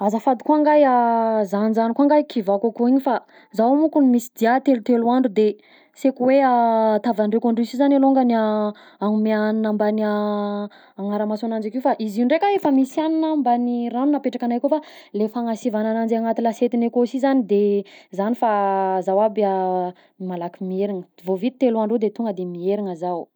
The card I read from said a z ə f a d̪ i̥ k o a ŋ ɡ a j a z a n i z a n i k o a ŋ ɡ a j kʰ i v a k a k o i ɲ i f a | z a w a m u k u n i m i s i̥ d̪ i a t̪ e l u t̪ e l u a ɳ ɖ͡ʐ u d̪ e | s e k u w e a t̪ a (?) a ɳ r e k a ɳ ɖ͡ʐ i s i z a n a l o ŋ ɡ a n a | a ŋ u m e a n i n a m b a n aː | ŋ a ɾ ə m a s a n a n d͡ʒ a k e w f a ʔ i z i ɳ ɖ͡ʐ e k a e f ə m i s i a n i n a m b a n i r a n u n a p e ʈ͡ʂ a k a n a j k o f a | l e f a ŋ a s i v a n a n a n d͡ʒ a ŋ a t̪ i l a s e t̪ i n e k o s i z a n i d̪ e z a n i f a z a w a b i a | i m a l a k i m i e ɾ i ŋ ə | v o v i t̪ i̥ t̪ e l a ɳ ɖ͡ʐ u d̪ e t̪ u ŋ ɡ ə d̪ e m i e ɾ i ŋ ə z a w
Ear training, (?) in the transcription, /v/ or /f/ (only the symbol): v